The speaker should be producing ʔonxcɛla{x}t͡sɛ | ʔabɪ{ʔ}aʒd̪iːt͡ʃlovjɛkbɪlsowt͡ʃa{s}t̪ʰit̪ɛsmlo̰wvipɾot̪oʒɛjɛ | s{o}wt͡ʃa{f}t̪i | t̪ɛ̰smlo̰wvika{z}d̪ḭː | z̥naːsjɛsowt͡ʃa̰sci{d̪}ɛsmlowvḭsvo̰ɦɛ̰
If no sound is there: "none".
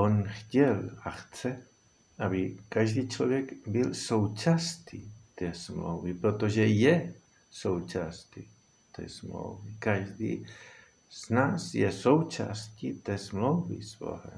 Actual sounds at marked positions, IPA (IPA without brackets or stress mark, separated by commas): x, k, s, o, s, ʒ, t̪